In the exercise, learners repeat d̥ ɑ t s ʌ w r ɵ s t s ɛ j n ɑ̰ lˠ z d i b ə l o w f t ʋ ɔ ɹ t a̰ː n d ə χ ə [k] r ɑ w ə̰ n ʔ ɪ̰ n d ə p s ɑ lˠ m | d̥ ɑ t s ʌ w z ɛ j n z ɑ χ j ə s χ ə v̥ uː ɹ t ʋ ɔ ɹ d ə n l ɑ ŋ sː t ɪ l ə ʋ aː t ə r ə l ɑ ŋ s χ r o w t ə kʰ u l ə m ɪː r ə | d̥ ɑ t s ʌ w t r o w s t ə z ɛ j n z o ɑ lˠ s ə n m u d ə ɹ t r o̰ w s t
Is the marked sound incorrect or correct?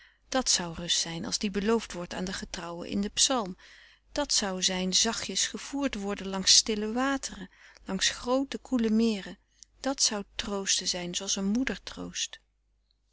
incorrect